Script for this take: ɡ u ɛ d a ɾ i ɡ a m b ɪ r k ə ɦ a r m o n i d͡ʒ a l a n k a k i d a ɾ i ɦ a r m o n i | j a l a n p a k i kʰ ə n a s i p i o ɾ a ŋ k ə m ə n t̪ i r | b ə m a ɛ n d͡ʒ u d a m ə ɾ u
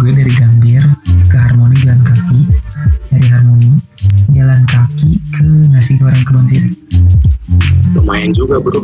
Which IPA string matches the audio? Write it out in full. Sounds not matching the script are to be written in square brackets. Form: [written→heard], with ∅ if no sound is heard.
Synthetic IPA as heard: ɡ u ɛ d a ɾ i ɡ a m b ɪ r k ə ɦ a r m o n i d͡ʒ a l a n k a k i d a ɾ i ɦ a r m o n i | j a l a n [p→k] a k i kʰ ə n a s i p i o ɾ a ŋ k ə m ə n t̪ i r | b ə m a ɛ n d͡ʒ u [d→ɡ] a [m→b] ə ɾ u